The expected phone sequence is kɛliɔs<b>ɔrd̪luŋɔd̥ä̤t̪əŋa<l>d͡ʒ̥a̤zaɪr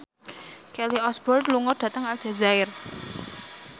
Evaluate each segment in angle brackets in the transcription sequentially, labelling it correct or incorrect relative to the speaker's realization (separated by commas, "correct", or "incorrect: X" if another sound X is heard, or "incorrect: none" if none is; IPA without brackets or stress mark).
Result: correct, correct